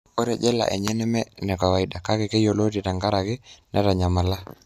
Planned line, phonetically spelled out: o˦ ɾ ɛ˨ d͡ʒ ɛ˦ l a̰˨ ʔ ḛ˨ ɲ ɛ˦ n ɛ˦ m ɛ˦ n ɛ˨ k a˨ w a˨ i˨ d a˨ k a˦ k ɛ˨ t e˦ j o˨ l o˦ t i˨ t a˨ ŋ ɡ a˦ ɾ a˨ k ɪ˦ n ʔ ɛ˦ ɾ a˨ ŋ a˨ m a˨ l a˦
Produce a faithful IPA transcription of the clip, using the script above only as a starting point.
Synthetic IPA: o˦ ɾ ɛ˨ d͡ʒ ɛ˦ l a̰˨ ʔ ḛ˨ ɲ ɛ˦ n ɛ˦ m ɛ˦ n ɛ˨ k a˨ w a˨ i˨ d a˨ k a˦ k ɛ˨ k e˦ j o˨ l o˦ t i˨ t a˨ ŋ ɡ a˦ ɾ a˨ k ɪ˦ n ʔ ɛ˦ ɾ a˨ ɲ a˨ m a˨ l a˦